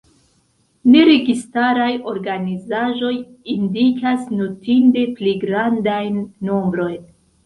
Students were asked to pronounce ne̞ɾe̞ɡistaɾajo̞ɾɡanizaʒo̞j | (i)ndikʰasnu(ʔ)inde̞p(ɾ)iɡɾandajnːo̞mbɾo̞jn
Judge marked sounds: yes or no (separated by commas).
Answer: yes, no, no